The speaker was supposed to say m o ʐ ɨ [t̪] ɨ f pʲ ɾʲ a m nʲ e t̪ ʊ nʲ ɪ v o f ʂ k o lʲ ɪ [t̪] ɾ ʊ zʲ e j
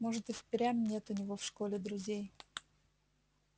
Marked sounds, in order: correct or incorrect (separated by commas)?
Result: correct, incorrect